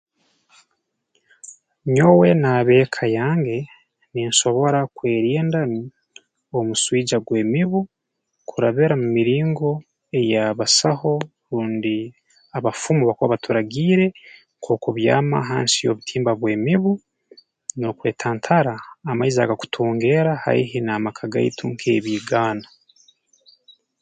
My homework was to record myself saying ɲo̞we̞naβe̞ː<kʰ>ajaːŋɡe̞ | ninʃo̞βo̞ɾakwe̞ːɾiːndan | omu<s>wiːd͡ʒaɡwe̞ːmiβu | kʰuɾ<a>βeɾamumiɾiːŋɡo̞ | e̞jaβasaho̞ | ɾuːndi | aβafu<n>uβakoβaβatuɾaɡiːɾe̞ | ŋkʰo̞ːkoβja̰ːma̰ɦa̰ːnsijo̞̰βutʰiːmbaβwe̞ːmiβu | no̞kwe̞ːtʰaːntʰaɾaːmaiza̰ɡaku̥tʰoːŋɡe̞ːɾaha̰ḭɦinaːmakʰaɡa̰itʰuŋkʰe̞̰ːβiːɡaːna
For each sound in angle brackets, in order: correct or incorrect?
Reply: correct, correct, correct, incorrect: m

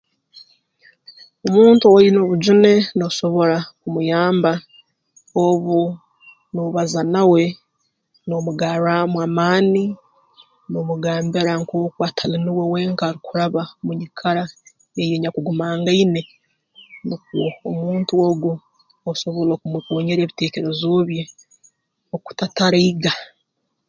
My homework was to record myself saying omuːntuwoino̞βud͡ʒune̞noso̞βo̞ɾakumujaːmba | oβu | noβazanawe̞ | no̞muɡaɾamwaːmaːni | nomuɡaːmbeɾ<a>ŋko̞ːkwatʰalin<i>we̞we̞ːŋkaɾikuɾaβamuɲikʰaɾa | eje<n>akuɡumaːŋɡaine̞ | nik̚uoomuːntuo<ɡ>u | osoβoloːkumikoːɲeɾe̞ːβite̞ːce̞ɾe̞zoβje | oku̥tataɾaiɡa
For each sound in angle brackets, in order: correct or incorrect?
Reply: correct, correct, incorrect: ɲ, correct

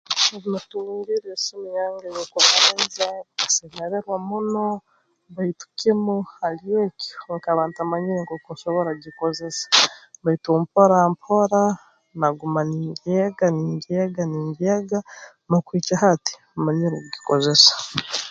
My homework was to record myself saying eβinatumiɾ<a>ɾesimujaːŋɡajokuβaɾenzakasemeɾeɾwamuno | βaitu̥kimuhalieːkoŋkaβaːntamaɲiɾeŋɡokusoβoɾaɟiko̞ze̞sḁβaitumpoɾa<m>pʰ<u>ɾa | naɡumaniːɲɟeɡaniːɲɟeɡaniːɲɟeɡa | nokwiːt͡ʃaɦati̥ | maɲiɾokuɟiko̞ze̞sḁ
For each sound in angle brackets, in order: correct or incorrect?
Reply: incorrect: i, correct, incorrect: o

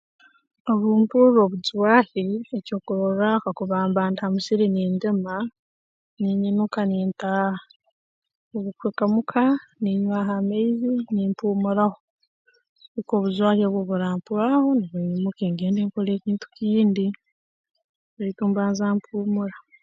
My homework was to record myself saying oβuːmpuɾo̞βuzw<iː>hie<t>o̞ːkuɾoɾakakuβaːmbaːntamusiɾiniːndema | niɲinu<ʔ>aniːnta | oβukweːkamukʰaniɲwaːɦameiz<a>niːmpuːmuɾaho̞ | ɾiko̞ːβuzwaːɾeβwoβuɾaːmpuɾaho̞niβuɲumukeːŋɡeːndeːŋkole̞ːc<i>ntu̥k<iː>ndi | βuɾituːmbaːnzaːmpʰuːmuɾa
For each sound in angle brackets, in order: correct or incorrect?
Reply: incorrect: aː, incorrect: c, incorrect: k, incorrect: i, incorrect: iː, correct

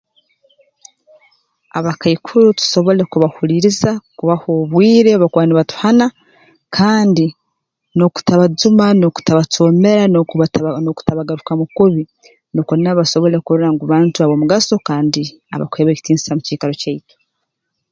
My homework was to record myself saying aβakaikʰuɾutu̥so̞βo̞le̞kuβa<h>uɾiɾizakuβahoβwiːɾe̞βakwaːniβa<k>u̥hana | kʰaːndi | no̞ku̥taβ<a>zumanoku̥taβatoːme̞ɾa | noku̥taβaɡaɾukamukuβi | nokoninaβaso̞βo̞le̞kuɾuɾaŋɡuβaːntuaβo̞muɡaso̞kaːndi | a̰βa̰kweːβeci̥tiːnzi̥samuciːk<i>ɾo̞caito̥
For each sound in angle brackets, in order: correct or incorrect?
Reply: correct, incorrect: t, correct, incorrect: a

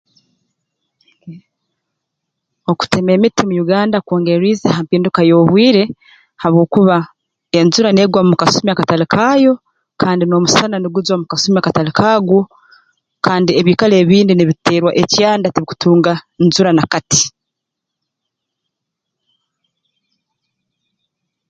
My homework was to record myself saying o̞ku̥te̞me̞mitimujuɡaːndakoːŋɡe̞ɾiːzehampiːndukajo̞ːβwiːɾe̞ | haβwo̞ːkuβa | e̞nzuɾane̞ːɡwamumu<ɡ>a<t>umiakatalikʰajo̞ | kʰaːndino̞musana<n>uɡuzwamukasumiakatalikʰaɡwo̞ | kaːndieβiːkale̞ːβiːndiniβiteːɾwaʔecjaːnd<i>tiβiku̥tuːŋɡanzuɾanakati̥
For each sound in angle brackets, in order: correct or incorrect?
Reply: incorrect: k, incorrect: s, correct, incorrect: a

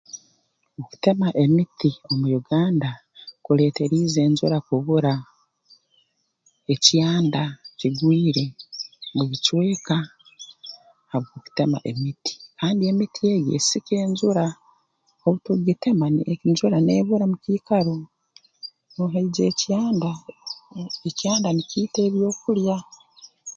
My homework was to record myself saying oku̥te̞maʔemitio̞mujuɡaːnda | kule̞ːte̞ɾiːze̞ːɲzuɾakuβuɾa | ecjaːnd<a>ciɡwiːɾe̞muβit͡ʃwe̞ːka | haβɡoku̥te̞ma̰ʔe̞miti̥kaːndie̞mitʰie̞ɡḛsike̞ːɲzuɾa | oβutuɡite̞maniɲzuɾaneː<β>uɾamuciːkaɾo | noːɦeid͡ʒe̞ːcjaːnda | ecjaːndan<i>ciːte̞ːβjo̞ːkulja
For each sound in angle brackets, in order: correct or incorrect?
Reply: correct, correct, correct

